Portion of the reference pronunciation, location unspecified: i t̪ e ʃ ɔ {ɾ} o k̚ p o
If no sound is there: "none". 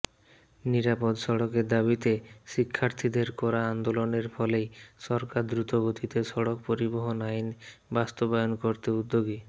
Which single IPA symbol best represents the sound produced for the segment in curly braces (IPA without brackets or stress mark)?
ɽ